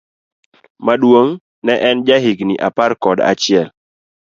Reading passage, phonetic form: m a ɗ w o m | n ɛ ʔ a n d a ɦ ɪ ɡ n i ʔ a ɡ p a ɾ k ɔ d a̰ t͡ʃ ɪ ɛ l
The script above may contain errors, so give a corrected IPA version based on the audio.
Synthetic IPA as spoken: m a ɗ w o ŋ | n ɛ ʔ ɛ n d͡ʒ a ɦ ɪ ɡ n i ʔ a p a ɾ k ɔ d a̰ t͡ʃ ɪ ɛ l